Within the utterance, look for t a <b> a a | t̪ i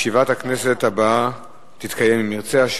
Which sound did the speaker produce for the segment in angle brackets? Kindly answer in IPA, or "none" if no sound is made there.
b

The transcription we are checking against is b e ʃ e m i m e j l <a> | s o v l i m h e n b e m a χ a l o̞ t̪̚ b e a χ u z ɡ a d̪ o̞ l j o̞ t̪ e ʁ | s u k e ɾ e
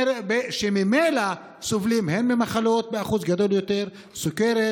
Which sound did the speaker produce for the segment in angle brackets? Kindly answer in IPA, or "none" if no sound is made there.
a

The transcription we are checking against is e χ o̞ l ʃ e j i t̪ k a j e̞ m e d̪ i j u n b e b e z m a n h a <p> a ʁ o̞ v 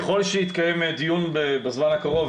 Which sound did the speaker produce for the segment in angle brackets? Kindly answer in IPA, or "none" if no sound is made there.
k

